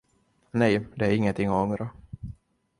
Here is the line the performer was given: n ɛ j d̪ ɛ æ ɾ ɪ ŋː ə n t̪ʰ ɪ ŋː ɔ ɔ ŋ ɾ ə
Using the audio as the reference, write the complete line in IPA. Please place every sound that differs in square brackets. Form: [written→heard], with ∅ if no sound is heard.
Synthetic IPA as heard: n ɛ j d̪ ɛ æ ɾ ɪ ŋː ə n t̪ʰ ɪ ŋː ɔ ɔ ŋ ɾ [ə→a]